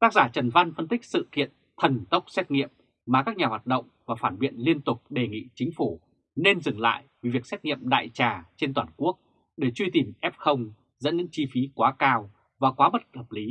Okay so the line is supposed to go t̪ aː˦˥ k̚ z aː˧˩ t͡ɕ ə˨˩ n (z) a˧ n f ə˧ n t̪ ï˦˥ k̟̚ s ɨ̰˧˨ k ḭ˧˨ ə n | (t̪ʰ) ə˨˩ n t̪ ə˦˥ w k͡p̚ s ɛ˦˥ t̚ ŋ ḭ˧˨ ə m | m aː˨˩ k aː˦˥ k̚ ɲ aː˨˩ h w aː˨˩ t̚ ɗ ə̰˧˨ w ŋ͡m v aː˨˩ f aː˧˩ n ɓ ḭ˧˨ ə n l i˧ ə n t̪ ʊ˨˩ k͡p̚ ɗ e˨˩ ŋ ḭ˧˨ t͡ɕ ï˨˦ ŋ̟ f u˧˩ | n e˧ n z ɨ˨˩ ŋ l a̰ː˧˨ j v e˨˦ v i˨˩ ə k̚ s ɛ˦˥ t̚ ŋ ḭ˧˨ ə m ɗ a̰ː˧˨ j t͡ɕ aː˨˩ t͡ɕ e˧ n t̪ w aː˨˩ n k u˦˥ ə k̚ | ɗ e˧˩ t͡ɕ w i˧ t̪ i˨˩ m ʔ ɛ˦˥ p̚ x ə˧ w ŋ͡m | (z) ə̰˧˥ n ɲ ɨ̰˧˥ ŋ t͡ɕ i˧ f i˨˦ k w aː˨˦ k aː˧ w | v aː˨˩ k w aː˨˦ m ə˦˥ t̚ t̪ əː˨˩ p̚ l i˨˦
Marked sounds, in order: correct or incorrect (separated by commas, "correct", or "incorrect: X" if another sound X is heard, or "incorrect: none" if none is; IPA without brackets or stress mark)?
incorrect: v, correct, correct